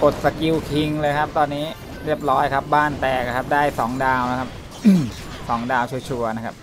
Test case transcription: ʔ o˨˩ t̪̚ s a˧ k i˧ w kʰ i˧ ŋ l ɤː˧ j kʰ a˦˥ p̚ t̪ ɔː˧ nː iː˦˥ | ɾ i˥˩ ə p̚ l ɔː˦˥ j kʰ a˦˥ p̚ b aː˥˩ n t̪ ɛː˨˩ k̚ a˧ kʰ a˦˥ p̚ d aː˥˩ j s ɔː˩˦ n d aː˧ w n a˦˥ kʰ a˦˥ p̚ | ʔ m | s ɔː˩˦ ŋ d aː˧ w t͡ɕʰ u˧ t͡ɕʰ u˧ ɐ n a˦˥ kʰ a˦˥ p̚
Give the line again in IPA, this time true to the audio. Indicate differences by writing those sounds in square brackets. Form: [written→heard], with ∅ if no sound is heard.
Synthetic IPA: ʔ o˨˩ t̪̚ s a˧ k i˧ w kʰ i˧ ŋ l ɤː˧ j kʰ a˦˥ p̚ t̪ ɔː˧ nː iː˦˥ | ɾ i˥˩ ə p̚ [l→ɾ] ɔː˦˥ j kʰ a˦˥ p̚ b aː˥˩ n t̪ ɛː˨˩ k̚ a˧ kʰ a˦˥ p̚ d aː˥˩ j s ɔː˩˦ [n→ŋ] d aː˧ w n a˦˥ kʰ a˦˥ p̚ | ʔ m | s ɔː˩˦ ŋ d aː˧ w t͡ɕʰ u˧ t͡ɕʰ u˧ ɐ n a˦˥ kʰ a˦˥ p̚